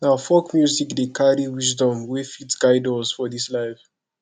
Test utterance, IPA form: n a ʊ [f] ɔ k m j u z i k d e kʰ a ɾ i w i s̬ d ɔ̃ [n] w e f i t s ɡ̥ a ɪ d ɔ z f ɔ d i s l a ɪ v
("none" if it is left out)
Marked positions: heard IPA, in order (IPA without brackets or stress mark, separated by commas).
f, m